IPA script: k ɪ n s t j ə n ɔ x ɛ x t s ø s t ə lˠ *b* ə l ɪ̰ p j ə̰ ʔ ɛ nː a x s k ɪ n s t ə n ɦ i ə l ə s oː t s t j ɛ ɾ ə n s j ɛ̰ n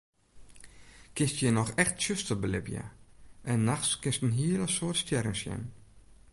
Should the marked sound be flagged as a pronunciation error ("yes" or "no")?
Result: no